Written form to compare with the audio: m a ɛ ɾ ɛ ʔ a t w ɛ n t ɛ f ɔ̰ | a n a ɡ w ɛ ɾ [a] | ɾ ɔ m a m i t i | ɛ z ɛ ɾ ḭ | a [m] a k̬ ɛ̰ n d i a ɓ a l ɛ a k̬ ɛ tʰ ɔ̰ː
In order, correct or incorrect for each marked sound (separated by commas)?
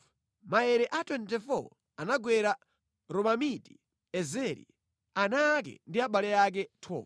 correct, incorrect